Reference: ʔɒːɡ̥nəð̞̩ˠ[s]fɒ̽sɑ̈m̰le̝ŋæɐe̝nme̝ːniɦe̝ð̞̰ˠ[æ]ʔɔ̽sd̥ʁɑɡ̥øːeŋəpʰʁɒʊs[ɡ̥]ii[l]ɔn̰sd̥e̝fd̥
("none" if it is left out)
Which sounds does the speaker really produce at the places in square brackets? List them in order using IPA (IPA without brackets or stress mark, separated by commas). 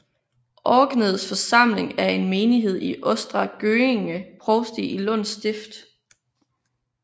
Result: s, i, d̥, l